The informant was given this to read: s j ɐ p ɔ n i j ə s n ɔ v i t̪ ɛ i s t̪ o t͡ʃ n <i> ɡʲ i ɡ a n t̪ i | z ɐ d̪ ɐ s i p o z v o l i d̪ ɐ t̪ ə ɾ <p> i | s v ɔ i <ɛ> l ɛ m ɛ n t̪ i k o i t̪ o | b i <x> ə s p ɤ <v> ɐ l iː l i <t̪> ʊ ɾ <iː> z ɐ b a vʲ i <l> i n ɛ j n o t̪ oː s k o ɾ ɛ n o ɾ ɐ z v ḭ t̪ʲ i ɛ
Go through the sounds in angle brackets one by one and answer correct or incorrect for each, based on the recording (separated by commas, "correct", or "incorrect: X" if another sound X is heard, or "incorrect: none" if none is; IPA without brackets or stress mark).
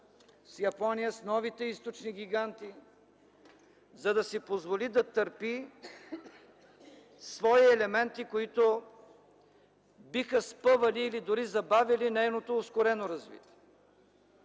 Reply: correct, correct, correct, correct, correct, incorrect: d̪, incorrect: i, correct